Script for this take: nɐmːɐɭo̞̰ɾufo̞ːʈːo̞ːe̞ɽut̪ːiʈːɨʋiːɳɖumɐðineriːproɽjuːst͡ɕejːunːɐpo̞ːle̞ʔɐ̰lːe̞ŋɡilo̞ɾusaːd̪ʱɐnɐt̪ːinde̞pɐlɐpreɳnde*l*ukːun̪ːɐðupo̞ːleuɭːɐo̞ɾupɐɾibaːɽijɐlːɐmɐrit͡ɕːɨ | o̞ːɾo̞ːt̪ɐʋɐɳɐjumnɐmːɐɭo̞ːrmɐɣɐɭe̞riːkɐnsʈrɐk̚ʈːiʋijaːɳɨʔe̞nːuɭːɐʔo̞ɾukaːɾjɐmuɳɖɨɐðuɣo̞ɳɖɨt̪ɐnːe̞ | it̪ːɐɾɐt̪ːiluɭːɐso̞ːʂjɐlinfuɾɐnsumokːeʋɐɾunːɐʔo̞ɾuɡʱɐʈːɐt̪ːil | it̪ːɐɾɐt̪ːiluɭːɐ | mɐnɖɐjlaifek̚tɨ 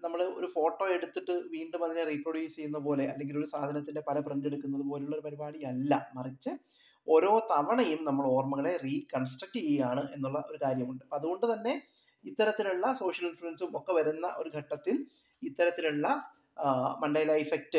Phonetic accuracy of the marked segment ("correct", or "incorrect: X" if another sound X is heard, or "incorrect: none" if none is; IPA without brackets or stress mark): incorrect: ɽ